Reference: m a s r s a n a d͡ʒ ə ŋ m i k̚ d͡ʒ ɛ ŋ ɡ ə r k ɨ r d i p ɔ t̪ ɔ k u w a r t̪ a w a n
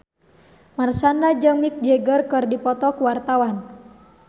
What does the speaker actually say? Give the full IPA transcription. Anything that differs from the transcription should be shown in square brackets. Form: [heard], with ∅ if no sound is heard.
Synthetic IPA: m a [∅] r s a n a d͡ʒ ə ŋ m i k̚ d͡ʒ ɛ [∅] ɡ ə r k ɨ r d i p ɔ t̪ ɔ k u w a r t̪ a w a n

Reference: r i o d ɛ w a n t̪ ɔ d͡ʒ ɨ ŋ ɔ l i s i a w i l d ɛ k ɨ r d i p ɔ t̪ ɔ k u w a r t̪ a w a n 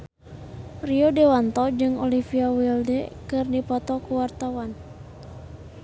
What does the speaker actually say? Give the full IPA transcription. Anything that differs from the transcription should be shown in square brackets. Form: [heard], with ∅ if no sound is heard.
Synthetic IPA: r i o d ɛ w a n t̪ ɔ d͡ʒ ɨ ŋ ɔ l i [f] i a w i l d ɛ k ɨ r d i p ɔ t̪ ɔ k u w a r t̪ a w a n

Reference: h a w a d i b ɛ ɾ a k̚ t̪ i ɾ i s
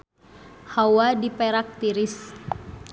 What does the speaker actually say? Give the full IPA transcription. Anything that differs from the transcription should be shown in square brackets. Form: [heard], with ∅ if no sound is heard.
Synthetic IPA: h a w a d i [p] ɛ ɾ a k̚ t̪ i ɾ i s

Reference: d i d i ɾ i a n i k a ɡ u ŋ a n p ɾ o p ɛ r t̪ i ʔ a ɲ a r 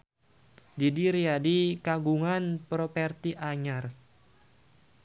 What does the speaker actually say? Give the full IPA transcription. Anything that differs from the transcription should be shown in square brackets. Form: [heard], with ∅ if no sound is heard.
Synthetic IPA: d i d i ɾ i a [d] i k a ɡ u ŋ a n p ɾ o p ɛ r t̪ i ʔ a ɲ a r

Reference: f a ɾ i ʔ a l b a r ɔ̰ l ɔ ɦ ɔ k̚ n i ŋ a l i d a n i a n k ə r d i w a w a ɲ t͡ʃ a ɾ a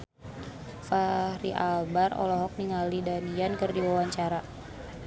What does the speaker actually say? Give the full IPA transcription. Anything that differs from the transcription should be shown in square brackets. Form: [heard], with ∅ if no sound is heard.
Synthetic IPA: f a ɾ i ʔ a l b a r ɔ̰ l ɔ ɦ ɔ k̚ n i ŋ a l i d a n i a n k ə r d i w a w a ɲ t͡ʃ a ɾ a

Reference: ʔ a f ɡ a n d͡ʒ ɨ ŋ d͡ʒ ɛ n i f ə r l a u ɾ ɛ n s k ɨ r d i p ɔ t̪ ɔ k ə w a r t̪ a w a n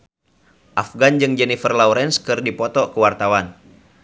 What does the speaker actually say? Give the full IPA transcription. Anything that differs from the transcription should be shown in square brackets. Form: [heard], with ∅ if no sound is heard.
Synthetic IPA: ʔ a f ɡ a n d͡ʒ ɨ ŋ d͡ʒ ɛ n i f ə r l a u ɾ ɛ n s k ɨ r d i p ɔ t̪ ɔ k ə w a r t̪ a w a n

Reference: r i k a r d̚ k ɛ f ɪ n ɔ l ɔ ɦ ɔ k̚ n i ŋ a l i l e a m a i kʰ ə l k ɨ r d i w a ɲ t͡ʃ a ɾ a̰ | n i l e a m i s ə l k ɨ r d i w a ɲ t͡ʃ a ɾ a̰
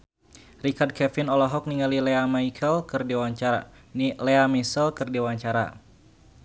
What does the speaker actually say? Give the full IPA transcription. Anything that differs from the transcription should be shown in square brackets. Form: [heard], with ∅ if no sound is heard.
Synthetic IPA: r i k a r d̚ k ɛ f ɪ n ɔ l ɔ ɦ ɔ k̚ n i ŋ a l i l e a m a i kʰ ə l k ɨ r d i w a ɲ t͡ʃ a ɾ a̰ | n i l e a m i s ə l k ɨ r d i w a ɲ t͡ʃ a ɾ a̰

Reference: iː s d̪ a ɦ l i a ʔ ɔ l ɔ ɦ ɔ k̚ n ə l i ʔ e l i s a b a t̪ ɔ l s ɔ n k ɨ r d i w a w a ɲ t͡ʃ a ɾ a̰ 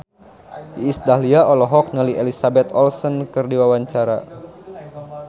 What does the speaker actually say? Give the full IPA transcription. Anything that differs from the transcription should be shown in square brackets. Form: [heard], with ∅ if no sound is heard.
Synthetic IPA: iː s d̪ a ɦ l i a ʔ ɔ l ɔ ɦ ɔ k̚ n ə l i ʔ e l i s a b [ɛ] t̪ ɔ l s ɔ n k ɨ r d i w a w a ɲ t͡ʃ a ɾ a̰

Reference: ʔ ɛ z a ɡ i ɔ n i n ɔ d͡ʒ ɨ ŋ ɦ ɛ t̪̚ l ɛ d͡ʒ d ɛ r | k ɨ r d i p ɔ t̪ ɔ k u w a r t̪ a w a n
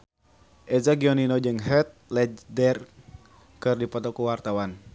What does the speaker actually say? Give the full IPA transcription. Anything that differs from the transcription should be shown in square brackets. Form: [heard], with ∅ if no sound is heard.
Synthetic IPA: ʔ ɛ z a ɡ i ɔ n i n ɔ d͡ʒ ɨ ŋ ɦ ɛ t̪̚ l ɛ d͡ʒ d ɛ r | k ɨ r d i p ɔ t̪ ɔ k u w a r t̪ a w a n

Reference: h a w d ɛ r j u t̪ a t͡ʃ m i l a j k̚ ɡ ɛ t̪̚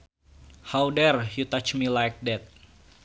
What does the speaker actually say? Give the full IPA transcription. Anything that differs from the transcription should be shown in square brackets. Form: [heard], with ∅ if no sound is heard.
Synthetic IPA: h a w d ɛ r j u t̪ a t͡ʃ m i l a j k̚ [d] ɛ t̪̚

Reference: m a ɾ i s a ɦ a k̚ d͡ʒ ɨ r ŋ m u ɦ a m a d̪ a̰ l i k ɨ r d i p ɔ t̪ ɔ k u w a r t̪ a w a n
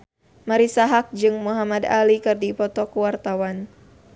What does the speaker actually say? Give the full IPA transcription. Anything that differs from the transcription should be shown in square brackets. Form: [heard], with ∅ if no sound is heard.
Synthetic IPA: m a ɾ i s a ɦ a k̚ d͡ʒ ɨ [∅] ŋ m u ɦ a m a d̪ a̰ l i k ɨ r d i p ɔ t̪ ɔ k u w a r t̪ a w a n

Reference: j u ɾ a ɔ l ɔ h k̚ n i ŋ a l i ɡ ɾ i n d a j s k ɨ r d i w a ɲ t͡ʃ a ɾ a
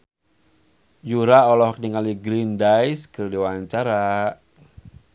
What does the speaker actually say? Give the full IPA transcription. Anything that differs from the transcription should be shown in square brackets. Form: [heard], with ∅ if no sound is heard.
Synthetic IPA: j u ɾ a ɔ l ɔ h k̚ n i ŋ a l i ɡ ɾ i n d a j s k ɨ r d i w a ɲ t͡ʃ a ɾ a

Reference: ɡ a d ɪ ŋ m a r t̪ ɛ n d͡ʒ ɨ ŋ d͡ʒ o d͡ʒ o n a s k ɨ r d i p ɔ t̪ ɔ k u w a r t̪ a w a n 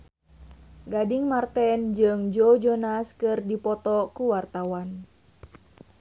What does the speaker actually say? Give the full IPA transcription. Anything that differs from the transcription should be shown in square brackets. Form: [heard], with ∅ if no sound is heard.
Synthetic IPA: ɡ a d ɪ ŋ m a r t̪ ɛ n d͡ʒ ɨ ŋ d͡ʒ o d͡ʒ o n a s k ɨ r d i p ɔ t̪ ɔ k u w a r t̪ a w a n

